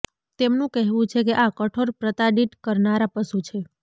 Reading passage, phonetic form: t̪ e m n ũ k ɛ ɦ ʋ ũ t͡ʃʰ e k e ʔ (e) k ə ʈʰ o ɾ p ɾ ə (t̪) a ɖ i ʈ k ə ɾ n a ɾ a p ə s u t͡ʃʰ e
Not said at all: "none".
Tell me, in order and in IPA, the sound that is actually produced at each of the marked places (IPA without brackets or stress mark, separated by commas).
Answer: a, t̪